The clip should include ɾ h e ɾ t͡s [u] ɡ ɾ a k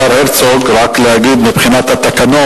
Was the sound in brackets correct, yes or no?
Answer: no